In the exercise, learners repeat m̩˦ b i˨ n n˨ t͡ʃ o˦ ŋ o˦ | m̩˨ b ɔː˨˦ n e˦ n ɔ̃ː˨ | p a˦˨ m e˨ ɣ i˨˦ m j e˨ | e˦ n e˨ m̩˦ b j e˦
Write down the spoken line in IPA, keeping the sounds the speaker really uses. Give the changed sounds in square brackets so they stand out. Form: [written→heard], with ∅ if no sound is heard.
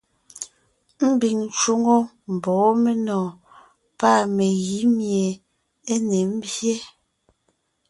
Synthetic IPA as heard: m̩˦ b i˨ [n→ŋ] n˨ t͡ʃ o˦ ŋ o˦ | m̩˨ b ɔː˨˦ [n→m] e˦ n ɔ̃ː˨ | p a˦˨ m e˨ ɣ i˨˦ m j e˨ | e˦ n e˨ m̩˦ b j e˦